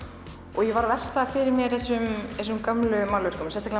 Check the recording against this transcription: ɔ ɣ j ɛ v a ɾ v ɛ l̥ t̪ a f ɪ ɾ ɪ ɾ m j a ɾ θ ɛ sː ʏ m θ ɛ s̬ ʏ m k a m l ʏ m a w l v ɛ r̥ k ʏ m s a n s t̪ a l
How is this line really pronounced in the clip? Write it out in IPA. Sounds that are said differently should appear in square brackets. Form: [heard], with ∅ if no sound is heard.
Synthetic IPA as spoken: ɔ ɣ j ɛ v a ɾ v ɛ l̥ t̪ a f ɪ ɾ ɪ ɾ m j [ɛ] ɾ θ ɛ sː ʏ m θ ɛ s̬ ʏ m k a m l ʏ m a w l v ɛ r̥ k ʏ m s [ɛ] n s t̪ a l